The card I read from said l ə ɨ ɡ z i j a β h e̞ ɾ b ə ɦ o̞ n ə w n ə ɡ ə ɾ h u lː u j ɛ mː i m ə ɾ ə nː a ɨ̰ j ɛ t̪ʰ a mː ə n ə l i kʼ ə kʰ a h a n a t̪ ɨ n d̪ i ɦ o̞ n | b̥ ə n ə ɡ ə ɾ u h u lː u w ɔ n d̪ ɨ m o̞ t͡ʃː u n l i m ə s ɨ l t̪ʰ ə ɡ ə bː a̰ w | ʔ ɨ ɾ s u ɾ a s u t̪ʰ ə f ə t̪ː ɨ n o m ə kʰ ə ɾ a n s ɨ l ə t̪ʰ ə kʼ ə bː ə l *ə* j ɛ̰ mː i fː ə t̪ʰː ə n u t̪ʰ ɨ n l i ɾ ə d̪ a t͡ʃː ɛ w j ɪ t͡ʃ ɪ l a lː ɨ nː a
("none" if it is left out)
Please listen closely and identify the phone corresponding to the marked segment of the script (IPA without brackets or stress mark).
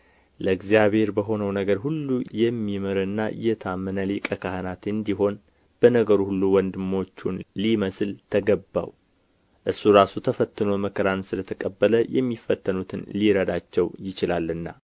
ə